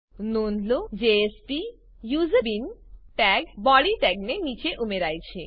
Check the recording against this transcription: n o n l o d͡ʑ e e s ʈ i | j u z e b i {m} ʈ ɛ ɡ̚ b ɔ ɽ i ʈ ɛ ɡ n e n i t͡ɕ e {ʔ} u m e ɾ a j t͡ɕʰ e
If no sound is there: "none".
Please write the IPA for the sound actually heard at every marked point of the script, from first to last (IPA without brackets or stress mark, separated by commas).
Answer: n, ʔ